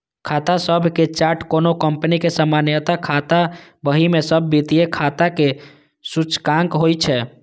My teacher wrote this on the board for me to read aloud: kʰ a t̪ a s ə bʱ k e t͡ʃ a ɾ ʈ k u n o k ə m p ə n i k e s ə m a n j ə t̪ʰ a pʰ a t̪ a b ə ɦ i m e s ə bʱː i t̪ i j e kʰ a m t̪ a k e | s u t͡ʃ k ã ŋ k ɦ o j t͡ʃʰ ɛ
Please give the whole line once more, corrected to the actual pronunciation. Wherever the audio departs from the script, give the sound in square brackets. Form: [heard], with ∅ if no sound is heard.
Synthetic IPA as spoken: kʰ a t̪ a s ə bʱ k e t͡ʃ a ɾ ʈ k [o] n o k ə m p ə n i k e s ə m a n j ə [t̪] a [kʰ] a t̪ a b ə ɦ i m e s ə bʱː i t̪ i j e kʰ a [∅] t̪ a k e | s u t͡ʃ k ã ŋ k ɦ o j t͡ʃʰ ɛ